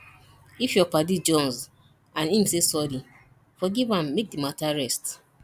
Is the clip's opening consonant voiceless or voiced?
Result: voiceless